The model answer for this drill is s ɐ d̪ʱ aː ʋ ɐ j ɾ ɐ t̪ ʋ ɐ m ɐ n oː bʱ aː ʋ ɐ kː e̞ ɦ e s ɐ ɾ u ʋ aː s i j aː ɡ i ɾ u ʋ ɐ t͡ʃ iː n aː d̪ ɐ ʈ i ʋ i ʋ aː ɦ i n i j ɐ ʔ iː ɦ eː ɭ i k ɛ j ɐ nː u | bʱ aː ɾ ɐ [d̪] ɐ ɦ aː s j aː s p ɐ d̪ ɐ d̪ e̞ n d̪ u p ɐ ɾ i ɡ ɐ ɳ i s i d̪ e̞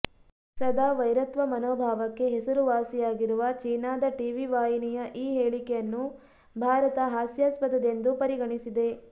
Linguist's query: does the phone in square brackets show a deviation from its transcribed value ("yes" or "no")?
yes